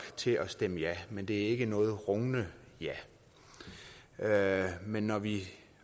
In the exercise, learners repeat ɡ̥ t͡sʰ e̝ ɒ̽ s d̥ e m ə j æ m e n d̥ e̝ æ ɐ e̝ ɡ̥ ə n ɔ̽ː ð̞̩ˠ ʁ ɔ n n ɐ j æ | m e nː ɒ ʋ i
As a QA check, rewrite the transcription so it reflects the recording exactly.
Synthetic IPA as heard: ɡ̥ t͡sʰ e̝ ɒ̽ s d̥ e m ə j æ m e n d̥ e̝ æ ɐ e̝ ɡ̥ ə n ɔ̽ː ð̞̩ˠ ʁ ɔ ŋ n ə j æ | m e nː ɒ ʋ i